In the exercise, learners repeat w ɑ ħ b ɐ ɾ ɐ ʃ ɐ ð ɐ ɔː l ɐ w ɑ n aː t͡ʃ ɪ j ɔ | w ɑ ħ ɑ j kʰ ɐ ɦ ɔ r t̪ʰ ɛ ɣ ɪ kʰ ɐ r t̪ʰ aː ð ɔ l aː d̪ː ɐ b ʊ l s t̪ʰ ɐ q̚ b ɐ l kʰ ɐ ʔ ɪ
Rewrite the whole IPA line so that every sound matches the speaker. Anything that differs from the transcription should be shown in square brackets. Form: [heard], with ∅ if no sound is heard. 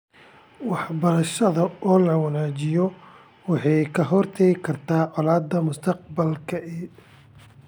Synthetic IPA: w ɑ ħ b ɐ ɾ ɐ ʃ ɐ ð ɐ ɔː l ɐ w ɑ n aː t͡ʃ ɪ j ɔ | w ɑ ħ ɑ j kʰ ɐ ɦ ɔ r t̪ʰ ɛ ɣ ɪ kʰ ɐ r t̪ʰ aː [ʕ] ɔ l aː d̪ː ɐ [m] ʊ [∅] s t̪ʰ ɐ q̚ b ɐ l kʰ ɐ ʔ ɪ

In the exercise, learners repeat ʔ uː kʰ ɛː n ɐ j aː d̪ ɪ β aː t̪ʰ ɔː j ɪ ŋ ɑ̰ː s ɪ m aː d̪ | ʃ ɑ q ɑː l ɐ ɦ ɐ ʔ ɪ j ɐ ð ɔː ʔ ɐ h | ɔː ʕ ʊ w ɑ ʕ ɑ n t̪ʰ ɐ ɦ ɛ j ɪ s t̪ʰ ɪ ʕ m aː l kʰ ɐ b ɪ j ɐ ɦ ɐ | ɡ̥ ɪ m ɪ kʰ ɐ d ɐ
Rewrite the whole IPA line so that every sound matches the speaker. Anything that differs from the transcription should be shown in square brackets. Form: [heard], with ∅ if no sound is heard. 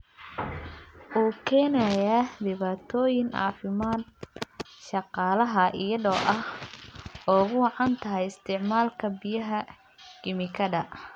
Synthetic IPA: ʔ uː kʰ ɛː n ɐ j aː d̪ ɪ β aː t̪ʰ ɔː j ɪ ŋ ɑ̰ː [f] ɪ m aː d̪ | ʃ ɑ q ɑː l ɐ ɦ ɐ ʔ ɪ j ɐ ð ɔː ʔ ɐ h | ɔː [ɣ] ʊ w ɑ ʕ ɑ n t̪ʰ ɐ ɦ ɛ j ɪ s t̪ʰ ɪ ʕ m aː l kʰ ɐ b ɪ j ɐ ɦ ɐ | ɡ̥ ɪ m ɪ kʰ ɐ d ɐ

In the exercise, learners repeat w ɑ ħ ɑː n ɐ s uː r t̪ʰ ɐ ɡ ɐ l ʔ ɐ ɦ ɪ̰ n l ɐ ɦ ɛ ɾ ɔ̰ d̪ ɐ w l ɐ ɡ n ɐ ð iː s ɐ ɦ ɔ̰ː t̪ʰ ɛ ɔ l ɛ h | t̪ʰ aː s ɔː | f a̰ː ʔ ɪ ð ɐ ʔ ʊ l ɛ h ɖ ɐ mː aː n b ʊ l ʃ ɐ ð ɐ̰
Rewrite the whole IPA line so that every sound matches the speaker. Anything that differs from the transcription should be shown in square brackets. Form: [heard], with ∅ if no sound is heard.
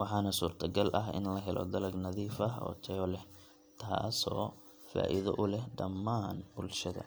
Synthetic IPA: w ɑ ħ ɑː n ɐ s uː r t̪ʰ ɐ ɡ ɐ l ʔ ɐ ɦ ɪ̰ n l ɐ ɦ ɛ [l] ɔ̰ d̪ ɐ [∅] l ɐ ɡ n ɐ ð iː [f] ɐ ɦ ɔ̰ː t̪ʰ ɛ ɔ l ɛ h | t̪ʰ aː s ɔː | f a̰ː ʔ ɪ ð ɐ ʔ ʊ l ɛ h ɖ ɐ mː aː n b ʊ l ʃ ɐ ð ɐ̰

